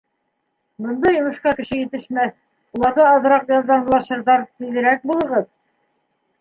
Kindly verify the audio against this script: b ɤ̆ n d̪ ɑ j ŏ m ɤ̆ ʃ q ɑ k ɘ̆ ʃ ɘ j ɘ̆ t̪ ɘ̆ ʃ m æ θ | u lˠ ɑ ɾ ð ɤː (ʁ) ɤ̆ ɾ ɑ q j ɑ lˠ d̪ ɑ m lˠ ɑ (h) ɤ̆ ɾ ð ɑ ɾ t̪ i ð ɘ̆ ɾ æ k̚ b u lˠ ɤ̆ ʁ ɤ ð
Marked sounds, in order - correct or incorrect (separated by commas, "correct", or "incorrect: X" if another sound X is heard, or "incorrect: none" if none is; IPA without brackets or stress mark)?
incorrect: ð, incorrect: ʃ